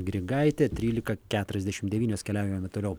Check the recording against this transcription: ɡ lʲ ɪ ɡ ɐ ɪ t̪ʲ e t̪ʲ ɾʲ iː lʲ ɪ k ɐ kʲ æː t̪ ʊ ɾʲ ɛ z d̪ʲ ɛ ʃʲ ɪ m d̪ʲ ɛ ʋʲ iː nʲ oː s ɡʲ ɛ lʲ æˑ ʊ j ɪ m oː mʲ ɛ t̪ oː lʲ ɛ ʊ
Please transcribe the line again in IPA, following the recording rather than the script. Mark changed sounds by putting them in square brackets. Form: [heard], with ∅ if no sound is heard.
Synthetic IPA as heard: ɡ [ɾʲ] ɪ ɡ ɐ ɪ t̪ʲ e t̪ʲ ɾʲ iː lʲ ɪ k ɐ kʲ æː t̪ ʊ ɾʲ ɛ z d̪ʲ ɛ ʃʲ ɪ m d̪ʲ ɛ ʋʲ iː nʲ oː s [kʲ] ɛ lʲ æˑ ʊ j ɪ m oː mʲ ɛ t̪ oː lʲ ɛ ʊ